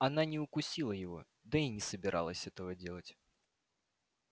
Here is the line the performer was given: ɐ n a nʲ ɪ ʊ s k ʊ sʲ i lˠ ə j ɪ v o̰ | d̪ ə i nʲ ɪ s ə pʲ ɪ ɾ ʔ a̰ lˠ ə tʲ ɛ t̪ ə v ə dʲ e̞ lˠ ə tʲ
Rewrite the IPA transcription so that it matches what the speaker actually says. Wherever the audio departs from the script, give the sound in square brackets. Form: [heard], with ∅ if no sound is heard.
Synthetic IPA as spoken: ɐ n a nʲ ɪ ʊ [∅] k ʊ sʲ i lˠ ə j ɪ v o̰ | d̪ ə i nʲ ɪ s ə [bʲ] ɪ ɾ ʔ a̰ lˠ ə [sʲ] ɛ t̪ ə v ə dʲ e̞ lˠ ə tʲ